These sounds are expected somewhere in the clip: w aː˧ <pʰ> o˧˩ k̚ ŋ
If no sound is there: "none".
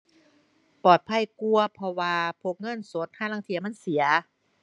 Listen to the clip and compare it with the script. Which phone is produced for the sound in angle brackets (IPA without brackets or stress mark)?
pʰ